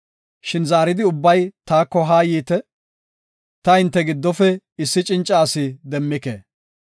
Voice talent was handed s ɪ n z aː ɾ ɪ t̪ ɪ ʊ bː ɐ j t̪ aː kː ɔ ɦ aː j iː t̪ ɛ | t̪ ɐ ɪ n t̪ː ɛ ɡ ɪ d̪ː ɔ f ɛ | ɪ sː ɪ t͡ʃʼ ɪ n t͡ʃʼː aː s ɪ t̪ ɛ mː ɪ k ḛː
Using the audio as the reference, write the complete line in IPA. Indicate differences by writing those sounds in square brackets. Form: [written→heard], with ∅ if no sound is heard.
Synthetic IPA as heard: [s→ʃ] ɪ n z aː ɾ ɪ [t̪→d̪] ɪ ʊ bː ɐ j t̪ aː kː ɔ ɦ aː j iː t̪ ɛ | t̪ ɐ ɪ n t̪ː ɛ ɡ ɪ d̪ː ɔ f ɛ | ɪ sː ɪ t͡ʃʼ ɪ n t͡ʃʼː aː s ɪ [t̪→d̪] ɛ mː ɪ k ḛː